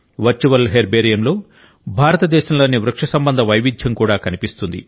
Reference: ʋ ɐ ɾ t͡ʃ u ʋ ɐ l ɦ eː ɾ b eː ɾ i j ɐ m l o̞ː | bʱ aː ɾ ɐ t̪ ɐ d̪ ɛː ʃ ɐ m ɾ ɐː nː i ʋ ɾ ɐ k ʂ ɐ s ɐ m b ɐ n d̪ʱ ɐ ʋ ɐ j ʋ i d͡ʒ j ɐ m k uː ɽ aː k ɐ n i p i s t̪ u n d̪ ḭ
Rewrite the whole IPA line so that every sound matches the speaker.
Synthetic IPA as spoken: ʋ ɐ ɾ t͡ʃ u ʋ ɐ l ɦ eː ɾ b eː ɾ i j ɐ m l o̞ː | bʱ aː ɾ ɐ t̪ ɐ d̪ ɛː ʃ ɐ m l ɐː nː i ʋ ɾ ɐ k ʂ ɐ s ɐ m b ɐ n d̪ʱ ɐ ʋ ɐ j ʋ i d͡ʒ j ɐ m k uː ɽ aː k ɐ n i p i s t̪ u n d̪ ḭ